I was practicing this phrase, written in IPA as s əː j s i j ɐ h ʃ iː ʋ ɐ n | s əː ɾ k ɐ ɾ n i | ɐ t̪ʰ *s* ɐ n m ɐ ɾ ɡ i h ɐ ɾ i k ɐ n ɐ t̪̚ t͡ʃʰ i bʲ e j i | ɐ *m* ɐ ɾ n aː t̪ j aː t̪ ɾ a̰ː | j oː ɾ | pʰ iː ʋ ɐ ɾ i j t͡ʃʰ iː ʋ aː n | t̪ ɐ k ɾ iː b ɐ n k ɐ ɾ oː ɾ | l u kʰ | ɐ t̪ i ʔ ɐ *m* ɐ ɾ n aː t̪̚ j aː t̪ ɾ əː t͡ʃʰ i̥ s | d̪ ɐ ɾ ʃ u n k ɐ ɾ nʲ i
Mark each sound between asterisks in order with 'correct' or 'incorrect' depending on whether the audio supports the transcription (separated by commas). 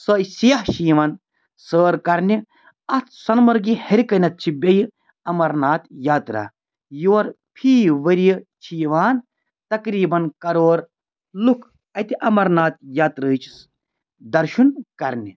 correct, correct, correct